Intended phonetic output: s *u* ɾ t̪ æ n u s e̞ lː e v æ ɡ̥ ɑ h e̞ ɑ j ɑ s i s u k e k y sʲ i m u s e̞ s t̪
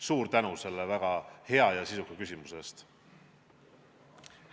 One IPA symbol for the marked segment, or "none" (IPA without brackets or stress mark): uː